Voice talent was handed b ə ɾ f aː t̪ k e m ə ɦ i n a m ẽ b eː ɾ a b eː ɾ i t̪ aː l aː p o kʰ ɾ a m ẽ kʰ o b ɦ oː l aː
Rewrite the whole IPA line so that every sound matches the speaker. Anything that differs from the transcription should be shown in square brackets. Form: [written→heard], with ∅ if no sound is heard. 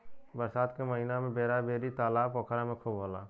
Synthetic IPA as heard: b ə ɾ [f→s] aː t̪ k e m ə ɦ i n a m ẽ b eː ɾ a b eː ɾ i t̪ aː l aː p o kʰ ɾ a m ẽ kʰ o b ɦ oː l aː